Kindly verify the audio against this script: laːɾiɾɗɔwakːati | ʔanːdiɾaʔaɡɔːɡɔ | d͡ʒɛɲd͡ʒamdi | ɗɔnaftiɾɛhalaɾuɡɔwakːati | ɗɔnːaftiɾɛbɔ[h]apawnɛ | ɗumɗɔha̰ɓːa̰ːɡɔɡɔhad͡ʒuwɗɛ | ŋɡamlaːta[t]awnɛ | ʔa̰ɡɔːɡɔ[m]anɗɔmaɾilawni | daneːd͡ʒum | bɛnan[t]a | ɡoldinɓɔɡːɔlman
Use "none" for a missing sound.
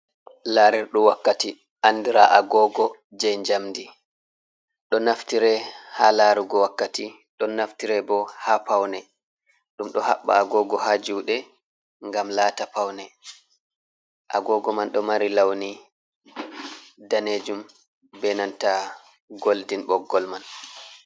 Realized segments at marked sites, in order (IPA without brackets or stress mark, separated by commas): h, p, m, t